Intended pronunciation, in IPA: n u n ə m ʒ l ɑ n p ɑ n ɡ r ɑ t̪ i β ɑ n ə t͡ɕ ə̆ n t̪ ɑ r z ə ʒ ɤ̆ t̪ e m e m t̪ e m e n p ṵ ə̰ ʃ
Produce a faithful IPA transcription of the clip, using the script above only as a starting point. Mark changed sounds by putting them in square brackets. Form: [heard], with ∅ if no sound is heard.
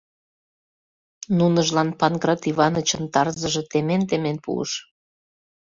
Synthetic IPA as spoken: n u n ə [∅] ʒ l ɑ n p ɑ n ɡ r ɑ t̪ i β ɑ n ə t͡ɕ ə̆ n t̪ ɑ r z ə ʒ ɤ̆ t̪ e m e [n] t̪ e m e n p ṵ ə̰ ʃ